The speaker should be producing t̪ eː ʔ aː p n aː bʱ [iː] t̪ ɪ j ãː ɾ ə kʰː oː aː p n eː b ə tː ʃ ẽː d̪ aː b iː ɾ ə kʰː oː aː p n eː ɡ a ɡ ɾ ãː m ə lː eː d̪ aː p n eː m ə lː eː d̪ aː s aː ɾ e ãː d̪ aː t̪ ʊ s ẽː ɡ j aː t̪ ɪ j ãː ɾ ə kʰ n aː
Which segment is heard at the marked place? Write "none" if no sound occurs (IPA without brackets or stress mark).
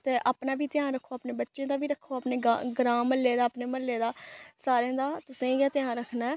iː